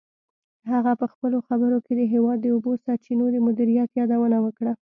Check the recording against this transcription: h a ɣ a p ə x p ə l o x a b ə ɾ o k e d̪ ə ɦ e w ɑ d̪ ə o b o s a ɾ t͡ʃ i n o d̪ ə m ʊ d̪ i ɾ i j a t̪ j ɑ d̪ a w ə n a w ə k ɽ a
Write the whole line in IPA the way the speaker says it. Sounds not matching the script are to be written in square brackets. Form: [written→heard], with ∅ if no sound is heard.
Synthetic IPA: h a ɣ a p ə x p ə l o x a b ə ɾ o k e d̪ ə ɦ e w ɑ [d̪→d̪ː] ə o b o s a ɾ t͡ʃ i n o d̪ ə m ʊ d̪ i ɾ i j a t̪ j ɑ d̪ a w ə n a w ə k ɽ a